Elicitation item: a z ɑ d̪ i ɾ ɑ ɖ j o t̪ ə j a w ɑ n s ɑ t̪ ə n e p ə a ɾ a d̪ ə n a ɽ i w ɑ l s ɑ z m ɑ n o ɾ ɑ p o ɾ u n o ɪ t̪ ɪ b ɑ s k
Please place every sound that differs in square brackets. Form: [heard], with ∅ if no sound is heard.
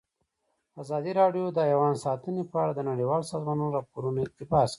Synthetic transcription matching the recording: a z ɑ d̪ i ɾ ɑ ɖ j o [d̪] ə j a w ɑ n s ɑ t̪ ə n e p ə a [ɽ] a d̪ ə n a ɽ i w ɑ l s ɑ z m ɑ n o ɾ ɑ p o ɾ u n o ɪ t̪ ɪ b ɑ s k